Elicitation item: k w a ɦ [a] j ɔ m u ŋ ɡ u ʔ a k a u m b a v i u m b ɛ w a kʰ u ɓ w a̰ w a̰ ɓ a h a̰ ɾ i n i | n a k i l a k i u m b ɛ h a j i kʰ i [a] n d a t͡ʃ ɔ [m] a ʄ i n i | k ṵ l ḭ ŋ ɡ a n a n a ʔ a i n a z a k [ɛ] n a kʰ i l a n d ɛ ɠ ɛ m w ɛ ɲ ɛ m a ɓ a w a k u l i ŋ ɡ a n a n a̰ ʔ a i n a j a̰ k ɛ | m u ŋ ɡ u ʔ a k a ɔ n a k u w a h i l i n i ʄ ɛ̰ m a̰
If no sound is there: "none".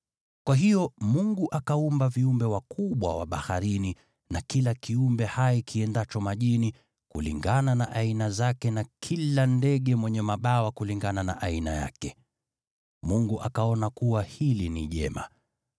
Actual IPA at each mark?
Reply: i, ɛ, m, ɛ

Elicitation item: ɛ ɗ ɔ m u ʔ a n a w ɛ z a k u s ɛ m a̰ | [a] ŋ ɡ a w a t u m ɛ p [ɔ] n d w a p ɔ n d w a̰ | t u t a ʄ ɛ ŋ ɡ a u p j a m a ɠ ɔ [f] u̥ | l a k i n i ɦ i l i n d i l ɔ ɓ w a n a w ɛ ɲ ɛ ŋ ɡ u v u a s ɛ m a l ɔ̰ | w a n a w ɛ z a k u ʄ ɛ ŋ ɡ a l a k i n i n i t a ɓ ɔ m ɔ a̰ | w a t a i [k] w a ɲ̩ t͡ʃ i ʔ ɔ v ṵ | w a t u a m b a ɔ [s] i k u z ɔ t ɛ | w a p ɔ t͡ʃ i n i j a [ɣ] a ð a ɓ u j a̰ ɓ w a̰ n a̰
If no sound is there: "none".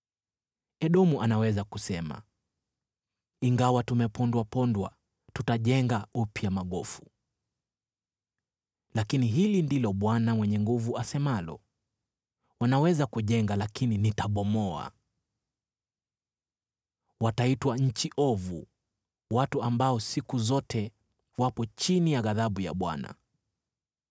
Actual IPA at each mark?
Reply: i, ɔ, f, t, s, ɣ

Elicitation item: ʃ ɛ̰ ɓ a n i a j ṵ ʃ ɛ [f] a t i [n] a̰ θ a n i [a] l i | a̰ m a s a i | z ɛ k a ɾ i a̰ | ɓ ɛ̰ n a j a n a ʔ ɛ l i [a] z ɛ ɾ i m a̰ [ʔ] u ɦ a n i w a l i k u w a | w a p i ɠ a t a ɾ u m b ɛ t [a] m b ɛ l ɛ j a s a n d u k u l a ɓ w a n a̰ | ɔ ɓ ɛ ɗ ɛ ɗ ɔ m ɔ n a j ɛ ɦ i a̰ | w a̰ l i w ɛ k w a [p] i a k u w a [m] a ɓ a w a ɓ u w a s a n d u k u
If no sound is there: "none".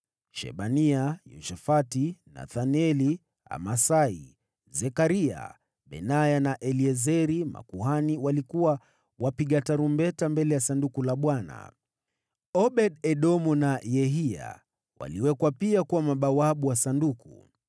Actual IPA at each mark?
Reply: f, n, ɛ, ɛ, k, a, p, m

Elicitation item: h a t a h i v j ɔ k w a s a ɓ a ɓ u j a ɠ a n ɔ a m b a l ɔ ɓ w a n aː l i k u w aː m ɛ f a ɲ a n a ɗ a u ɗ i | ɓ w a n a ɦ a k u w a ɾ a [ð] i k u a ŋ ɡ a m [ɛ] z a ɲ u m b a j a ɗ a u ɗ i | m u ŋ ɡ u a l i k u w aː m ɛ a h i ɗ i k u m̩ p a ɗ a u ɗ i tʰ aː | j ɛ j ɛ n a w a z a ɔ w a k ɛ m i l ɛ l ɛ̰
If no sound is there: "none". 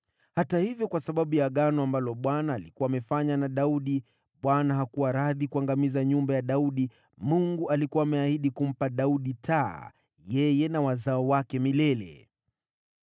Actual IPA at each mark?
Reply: ð, i

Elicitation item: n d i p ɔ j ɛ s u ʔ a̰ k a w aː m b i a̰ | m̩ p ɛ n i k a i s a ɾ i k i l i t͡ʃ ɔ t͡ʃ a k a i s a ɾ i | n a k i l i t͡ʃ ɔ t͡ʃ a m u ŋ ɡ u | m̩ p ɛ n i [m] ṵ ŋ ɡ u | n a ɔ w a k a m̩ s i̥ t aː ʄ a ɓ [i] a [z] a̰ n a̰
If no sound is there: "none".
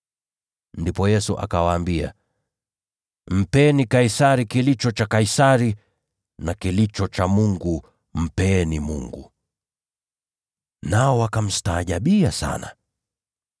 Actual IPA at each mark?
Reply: m, i, s

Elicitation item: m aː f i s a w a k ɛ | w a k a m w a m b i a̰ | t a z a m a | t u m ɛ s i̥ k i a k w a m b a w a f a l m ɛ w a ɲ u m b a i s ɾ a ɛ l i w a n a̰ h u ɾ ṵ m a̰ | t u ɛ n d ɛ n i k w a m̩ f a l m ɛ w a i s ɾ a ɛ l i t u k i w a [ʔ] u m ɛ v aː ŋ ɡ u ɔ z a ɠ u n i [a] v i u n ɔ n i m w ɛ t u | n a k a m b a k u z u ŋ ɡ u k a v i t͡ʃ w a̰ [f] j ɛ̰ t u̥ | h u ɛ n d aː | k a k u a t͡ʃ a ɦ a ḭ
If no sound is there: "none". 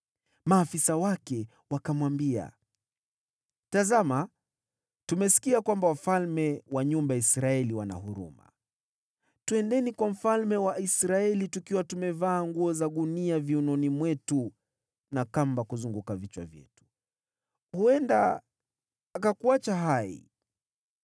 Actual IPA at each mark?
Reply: t, a, v

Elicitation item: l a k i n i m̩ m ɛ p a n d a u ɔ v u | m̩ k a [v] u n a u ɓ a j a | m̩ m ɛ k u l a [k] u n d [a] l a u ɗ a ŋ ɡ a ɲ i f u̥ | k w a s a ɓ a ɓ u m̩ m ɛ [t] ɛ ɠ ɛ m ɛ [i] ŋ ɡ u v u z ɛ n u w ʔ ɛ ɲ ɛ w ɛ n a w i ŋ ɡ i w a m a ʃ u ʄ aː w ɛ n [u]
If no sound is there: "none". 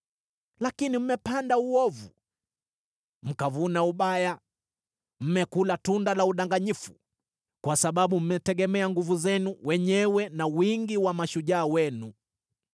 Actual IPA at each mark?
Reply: v, t, a, t, a, u

